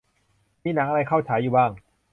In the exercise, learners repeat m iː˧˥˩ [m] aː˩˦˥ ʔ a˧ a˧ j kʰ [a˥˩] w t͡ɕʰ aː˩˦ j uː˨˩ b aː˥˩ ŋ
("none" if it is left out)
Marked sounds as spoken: n, a˥˩

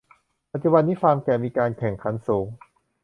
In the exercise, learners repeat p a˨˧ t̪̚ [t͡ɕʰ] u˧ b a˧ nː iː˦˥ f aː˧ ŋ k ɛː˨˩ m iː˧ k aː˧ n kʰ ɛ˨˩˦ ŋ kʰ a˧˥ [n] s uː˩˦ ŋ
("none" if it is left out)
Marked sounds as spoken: t͡ɕ, n

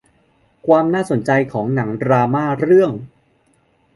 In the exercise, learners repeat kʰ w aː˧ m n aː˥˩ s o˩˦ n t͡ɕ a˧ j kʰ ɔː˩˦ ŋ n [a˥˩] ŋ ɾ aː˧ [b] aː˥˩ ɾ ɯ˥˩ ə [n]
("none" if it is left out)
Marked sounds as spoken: a˩˦, m, ŋ

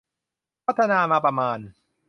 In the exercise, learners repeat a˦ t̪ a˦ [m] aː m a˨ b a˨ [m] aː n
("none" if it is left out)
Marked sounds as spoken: n, m

